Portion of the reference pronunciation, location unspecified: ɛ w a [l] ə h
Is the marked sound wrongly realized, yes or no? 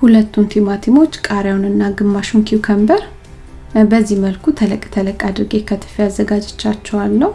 yes